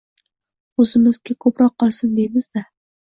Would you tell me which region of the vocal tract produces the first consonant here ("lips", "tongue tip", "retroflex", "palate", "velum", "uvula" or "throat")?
tongue tip